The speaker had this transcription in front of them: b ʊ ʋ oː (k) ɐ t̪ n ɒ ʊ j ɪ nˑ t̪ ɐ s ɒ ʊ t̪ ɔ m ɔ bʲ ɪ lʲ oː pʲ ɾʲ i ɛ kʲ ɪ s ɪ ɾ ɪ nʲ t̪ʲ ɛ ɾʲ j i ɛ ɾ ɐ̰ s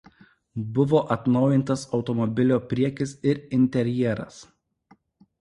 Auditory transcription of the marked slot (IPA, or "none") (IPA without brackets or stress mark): ʔ